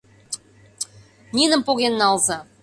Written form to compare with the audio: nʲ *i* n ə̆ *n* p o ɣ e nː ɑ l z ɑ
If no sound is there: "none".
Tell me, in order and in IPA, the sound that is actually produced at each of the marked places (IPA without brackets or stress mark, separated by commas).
i, m